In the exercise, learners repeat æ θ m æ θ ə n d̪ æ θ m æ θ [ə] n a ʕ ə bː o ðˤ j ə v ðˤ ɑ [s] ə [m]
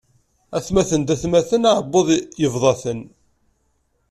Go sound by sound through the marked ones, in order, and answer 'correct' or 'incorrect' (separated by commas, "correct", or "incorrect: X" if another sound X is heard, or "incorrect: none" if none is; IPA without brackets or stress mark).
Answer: correct, incorrect: θ, incorrect: n